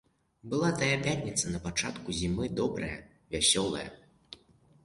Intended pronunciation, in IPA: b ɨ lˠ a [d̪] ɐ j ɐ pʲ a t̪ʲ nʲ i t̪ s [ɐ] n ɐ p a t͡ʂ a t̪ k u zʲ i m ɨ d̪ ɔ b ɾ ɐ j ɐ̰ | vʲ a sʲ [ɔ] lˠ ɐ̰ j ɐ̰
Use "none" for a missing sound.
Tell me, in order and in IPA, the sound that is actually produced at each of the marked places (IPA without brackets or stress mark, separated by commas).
t̪, ɐ, ɔ